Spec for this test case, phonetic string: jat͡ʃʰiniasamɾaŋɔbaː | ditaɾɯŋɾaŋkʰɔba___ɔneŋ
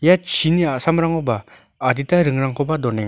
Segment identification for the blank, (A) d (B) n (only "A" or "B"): A